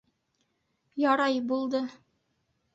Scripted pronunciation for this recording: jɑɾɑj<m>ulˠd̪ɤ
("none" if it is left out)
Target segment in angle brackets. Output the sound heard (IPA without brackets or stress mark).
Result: b